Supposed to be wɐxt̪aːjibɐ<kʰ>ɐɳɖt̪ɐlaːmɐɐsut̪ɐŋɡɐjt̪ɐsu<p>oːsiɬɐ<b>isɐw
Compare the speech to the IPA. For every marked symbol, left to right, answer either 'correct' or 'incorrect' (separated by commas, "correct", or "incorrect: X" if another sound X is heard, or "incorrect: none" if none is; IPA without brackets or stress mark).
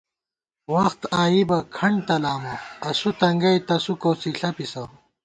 correct, incorrect: k, incorrect: p